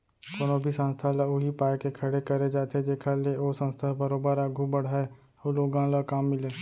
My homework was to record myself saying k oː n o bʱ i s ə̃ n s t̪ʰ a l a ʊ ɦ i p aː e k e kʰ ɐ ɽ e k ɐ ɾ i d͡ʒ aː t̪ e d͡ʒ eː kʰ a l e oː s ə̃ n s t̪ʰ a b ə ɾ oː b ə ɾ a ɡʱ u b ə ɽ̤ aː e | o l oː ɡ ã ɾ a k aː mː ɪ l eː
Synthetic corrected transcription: k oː n o bʱ i s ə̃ n s t̪ʰ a l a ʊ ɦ i p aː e k e kʰ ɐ ɽ e k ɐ ɾ e d͡ʒ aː t̪ e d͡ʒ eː kʰ a l e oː s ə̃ n s t̪ʰ a b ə ɾ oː b ə ɾ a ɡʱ u b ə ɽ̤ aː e | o l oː ɡ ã l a k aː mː ɪ l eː